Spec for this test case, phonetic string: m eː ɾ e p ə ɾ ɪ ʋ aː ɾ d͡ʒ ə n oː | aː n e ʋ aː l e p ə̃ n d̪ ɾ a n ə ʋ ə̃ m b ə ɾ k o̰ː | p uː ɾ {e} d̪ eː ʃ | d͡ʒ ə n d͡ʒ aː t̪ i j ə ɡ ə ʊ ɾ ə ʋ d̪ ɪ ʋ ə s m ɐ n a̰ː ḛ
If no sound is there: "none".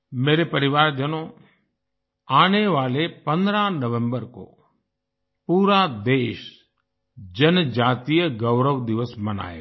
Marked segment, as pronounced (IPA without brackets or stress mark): a